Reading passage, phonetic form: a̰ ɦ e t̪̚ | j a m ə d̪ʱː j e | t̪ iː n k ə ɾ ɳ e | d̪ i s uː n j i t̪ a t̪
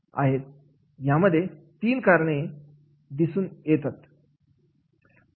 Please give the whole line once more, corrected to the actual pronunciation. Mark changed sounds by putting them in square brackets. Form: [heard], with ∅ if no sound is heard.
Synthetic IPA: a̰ ɦ e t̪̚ | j a m ə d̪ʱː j e | t̪ iː n k [a] ɾ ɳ e | d̪ i s uː n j [e] t̪ a t̪